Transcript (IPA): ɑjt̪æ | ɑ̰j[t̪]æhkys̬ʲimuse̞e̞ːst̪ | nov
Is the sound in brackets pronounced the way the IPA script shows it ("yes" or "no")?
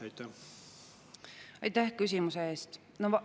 yes